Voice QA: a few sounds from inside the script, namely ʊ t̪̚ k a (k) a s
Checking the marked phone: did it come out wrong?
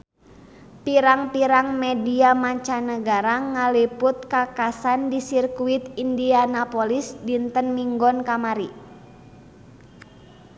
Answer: no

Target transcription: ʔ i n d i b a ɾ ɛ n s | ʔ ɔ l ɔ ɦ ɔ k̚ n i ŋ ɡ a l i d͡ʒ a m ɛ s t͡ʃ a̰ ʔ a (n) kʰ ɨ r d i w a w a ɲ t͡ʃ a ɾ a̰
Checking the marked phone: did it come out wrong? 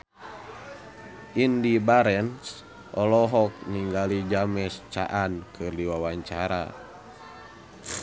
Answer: no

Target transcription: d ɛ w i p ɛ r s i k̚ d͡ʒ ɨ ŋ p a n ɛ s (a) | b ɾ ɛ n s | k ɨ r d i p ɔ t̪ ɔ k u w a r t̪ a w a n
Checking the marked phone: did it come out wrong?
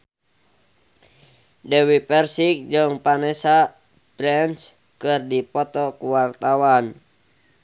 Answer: no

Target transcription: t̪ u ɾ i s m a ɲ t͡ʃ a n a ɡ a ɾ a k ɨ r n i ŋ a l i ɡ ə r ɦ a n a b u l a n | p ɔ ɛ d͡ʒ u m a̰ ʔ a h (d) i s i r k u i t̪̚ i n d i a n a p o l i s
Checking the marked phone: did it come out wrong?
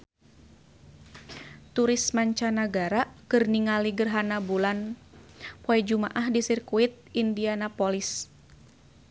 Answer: no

